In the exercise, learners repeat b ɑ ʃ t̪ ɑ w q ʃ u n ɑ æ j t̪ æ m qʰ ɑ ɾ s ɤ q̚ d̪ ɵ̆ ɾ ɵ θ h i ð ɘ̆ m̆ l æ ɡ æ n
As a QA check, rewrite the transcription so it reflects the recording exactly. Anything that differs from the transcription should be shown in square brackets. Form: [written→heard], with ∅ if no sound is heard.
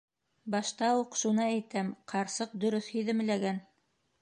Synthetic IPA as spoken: b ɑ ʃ t̪ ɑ [w→u] q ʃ u n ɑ æ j t̪ æ m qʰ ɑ ɾ s ɤ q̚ d̪ ɵ̆ ɾ ɵ θ h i ð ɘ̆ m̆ l æ ɡ æ n